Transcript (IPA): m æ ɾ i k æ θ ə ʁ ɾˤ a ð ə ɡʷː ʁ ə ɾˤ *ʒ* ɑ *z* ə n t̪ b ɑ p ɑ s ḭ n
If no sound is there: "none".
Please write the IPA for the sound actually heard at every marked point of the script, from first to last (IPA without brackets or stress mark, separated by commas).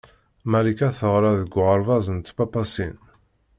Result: v, z